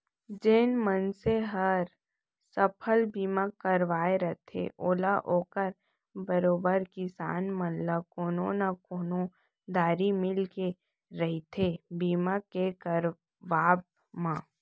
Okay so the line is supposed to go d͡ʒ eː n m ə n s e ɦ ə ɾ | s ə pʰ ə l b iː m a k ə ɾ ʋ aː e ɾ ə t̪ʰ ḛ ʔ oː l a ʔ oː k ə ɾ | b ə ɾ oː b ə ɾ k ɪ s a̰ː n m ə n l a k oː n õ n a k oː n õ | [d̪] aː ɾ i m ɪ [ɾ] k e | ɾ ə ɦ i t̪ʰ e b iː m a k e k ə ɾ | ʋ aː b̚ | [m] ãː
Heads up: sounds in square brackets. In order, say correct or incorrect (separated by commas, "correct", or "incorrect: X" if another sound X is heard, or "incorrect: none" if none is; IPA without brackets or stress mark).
correct, incorrect: l, correct